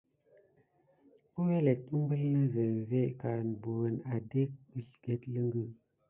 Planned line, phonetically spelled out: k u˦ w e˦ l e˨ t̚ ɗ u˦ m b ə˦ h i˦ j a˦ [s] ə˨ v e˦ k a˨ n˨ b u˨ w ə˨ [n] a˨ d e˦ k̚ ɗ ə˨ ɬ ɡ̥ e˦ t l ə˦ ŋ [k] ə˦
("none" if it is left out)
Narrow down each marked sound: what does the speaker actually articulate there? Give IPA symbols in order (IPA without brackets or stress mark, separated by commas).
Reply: z, n, ɡ